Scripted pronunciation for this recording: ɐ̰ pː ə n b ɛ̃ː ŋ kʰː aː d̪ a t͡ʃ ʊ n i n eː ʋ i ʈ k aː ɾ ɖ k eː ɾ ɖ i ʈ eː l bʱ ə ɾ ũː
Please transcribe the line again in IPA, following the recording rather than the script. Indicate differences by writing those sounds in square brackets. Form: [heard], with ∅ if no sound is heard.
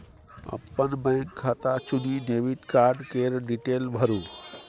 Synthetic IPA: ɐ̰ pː ə n b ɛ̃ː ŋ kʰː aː [t̪] a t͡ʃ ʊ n i n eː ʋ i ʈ k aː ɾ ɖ k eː ɾ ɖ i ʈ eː l bʱ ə ɾ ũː